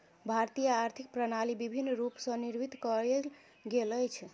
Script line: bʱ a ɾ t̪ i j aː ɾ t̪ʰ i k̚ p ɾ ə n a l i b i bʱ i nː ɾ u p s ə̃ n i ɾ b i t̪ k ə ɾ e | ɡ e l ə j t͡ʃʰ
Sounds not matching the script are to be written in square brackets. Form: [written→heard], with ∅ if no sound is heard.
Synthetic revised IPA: bʱ a ɾ t̪ i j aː ɾ t̪ʰ i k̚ p ɾ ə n a l i b i bʱ i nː ɾ u p s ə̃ n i ɾ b i t̪ k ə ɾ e | ɡ e l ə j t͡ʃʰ